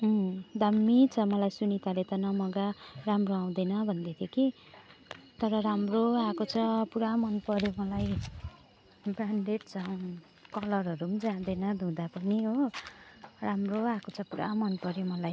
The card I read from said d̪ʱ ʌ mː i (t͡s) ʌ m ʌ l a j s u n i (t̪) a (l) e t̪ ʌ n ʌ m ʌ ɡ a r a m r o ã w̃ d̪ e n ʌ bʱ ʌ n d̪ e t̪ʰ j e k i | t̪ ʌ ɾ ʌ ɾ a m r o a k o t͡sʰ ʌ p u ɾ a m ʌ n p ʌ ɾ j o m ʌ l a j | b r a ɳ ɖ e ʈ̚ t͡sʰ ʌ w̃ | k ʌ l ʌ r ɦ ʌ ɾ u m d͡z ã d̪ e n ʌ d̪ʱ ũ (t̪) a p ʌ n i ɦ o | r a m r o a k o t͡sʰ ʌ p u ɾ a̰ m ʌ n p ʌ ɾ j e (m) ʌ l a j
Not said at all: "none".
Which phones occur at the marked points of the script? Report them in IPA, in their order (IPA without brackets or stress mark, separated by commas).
t͡sʰ, t̪, l, d̪, m